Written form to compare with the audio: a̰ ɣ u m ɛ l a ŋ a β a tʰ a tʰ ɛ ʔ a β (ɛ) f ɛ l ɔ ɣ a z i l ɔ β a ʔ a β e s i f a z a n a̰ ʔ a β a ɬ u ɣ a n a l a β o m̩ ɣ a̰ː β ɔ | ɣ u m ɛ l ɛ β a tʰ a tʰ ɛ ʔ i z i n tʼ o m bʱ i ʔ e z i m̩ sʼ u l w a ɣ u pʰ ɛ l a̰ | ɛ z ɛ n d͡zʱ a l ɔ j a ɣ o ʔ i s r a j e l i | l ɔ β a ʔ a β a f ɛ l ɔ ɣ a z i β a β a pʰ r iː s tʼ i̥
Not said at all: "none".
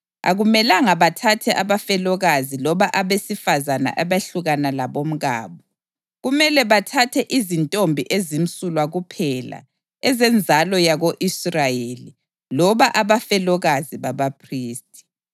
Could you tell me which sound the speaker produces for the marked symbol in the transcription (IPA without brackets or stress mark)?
a